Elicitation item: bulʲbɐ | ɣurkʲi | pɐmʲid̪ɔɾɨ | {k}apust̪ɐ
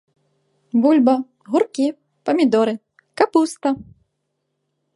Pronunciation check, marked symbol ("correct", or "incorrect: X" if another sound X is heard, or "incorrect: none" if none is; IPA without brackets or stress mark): correct